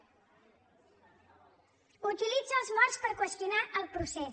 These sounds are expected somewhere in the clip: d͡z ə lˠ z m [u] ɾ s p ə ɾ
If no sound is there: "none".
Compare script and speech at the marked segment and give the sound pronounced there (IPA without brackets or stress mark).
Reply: ɔ